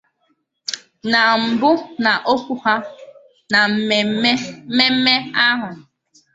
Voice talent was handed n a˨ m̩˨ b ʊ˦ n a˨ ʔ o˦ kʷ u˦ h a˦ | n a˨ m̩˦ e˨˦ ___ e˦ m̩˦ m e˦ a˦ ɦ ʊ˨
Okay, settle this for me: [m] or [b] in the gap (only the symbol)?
m